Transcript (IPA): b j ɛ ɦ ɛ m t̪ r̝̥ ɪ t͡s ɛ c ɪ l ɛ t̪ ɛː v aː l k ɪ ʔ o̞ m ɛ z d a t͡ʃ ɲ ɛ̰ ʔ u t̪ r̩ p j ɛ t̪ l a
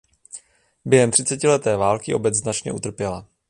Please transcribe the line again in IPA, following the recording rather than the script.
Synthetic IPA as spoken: b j ɛ ɦ ɛ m t̪ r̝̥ ɪ t͡s ɛ c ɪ l ɛ t̪ ɛː v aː l k ɪ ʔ o̞ b ɛ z n a t͡ʃ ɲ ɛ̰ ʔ u t̪ r̩ p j ɛ l a